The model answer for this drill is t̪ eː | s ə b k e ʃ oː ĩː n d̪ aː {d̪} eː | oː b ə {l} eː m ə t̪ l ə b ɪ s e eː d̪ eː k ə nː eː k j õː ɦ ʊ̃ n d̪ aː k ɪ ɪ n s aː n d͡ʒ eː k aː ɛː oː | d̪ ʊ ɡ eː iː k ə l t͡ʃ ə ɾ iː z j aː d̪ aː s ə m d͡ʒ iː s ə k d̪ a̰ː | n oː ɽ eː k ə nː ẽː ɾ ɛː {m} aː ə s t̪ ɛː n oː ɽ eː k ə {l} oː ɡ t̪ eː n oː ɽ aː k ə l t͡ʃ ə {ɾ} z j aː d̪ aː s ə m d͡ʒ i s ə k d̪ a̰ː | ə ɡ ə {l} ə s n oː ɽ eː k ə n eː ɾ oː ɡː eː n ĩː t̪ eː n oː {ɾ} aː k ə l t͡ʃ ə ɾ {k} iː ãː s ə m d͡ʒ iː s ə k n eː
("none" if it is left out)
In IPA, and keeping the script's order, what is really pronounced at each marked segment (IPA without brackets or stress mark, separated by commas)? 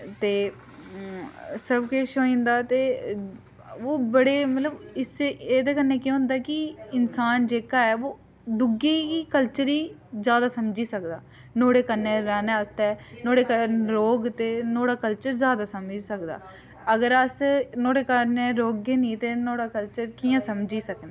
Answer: t̪, ɽ, n, ɾ, ɾ, ɾ, ɽ, k